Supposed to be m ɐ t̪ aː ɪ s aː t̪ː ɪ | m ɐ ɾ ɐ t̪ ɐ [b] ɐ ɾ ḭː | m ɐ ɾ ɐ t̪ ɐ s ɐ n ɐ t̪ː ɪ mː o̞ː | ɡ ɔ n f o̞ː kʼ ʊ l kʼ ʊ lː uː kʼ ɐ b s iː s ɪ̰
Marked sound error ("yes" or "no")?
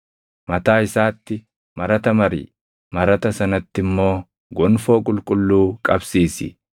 yes